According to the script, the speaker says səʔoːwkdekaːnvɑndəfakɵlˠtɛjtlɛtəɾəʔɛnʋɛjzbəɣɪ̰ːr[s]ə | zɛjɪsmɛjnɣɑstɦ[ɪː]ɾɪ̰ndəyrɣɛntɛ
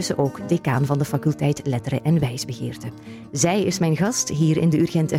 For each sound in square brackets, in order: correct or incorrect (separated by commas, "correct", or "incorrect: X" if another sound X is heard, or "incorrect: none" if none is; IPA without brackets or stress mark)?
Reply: incorrect: t, incorrect: iː